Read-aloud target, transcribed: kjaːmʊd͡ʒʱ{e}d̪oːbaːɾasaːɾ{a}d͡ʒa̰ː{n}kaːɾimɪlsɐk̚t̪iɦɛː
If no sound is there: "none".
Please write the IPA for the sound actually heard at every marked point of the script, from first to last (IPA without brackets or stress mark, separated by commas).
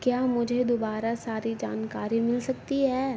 e, i, n